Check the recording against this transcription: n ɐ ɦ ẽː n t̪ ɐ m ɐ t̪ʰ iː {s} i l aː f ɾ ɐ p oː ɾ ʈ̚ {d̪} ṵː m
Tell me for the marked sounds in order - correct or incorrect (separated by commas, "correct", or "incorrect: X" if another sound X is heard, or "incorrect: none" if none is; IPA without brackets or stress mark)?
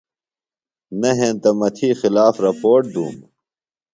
incorrect: x, correct